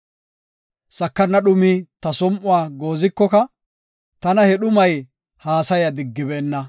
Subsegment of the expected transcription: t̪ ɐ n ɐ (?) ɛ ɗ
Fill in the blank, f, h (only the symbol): h